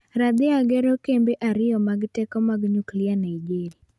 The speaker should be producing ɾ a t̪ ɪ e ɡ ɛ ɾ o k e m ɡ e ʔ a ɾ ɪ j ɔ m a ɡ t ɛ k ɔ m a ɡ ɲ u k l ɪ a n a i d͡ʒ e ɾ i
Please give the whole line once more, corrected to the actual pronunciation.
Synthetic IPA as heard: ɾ a d̪ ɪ a ɡ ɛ ɾ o k e m b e ʔ a ɾ ɪ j ɔ m a ɡ t ɛ k ɔ m a ɡ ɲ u k l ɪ a n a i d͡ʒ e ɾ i

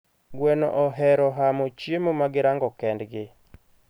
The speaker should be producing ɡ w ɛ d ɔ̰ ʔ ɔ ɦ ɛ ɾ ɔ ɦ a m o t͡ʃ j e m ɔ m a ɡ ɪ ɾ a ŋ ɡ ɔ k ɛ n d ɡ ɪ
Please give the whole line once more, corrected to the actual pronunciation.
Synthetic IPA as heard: ɡ w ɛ n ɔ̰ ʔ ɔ ɦ ɛ ɾ ɔ ɦ a m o t͡ʃ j e m o m a ɡ ɪ ɾ a ŋ ɡ ɔ k ɛ n d ɡ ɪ

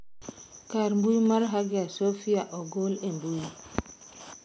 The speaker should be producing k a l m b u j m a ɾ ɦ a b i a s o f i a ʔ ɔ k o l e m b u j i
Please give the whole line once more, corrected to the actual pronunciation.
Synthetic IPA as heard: k a ɾ m b u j m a ɾ ɦ a ɡ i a s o f i a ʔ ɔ ɡ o l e m b u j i

